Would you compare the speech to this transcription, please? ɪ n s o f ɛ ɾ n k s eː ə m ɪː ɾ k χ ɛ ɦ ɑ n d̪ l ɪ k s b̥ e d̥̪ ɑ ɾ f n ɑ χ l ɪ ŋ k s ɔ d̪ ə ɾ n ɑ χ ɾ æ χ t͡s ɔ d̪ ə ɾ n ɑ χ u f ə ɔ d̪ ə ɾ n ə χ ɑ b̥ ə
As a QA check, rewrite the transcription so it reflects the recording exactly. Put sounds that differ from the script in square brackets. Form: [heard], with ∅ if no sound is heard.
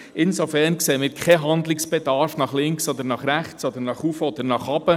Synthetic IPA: ɪ n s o f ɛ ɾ n k s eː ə m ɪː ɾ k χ ɛ ɦ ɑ n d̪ l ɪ k s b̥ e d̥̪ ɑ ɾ f n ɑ χ l ɪ ŋ k s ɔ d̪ ə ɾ n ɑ χ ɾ æ χ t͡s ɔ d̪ ə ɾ n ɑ χ u f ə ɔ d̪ ə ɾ n [ɑ] χ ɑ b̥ ə